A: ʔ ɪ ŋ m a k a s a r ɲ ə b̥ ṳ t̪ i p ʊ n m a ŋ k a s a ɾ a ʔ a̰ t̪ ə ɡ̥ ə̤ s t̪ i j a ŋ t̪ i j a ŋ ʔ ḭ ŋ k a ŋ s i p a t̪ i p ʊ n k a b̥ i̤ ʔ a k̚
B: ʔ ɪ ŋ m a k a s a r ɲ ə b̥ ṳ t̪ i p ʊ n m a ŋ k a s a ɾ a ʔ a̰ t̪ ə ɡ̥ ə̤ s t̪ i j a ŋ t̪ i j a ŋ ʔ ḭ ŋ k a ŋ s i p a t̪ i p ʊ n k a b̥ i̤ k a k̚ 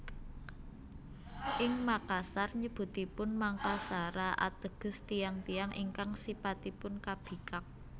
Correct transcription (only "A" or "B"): B